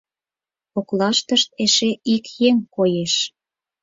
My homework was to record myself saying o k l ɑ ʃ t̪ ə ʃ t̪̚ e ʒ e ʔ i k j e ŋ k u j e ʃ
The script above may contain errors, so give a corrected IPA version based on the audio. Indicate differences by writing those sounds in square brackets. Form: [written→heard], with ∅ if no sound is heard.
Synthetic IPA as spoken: o k l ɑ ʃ t̪ ə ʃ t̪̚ e [ʒ→ʃ] e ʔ i k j e ŋ k [u→o] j e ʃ